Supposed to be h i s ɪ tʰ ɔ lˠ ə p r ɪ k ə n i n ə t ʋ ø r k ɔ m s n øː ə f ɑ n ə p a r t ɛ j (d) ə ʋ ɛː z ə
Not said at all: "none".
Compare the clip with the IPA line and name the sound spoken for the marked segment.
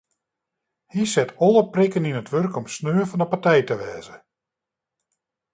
t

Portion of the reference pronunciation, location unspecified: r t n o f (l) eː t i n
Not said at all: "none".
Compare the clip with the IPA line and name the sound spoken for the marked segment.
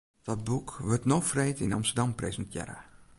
r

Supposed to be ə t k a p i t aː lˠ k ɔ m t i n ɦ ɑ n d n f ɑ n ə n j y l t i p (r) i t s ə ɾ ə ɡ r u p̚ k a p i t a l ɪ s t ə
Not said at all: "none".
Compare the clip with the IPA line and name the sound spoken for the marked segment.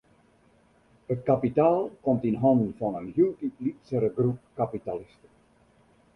l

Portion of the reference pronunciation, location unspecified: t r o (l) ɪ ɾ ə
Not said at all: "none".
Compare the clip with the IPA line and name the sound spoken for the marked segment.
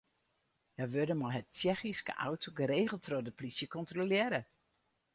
l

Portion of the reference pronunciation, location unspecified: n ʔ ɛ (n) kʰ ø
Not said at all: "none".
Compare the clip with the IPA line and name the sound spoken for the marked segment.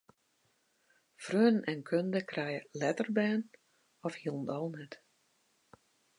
n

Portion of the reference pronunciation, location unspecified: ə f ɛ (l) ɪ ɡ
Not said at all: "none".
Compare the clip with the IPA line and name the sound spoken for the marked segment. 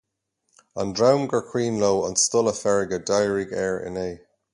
ɹ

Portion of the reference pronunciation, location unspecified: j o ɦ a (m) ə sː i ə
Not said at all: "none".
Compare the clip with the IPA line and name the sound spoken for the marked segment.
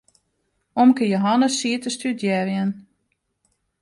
n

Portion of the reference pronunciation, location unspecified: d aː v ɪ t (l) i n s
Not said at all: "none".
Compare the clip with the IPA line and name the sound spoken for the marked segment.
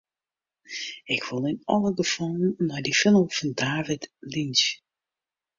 l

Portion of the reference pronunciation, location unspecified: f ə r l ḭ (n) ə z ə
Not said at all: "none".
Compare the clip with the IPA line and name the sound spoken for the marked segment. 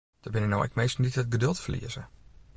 none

